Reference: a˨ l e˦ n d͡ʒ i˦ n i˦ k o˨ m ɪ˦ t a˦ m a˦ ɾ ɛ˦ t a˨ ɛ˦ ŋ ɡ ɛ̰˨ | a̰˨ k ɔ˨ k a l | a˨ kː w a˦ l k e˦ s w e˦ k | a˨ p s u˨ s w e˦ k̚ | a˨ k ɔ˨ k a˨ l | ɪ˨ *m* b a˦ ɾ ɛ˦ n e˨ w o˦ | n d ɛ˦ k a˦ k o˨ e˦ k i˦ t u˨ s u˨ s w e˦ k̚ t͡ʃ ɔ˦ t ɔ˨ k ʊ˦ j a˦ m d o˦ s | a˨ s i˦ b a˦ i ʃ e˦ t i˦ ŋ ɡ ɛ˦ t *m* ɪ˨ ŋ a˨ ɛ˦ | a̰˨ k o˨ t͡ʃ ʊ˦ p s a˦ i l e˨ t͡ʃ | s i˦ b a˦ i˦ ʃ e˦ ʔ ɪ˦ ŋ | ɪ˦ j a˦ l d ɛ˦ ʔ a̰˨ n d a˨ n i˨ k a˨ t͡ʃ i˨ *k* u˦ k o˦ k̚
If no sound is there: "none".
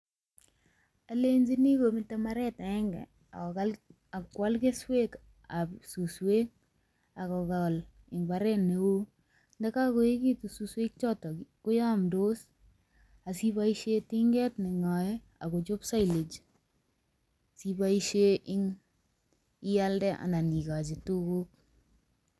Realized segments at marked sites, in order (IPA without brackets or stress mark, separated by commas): ŋ, n, t